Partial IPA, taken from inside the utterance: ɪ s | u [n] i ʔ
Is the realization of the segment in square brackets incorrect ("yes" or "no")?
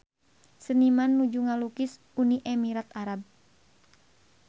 no